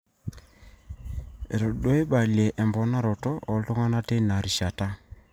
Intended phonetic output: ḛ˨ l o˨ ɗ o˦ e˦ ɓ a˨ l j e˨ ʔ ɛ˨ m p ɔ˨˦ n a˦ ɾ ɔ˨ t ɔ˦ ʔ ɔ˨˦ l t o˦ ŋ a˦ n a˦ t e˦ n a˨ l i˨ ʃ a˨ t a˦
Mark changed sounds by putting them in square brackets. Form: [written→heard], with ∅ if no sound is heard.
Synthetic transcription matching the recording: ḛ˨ [l→ɾ] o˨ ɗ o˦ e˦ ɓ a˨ l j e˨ ʔ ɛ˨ m [p→b] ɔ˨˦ n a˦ ɾ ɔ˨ t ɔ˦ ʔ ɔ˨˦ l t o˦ ŋ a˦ n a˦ t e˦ n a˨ [l→ɾ] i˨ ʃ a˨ t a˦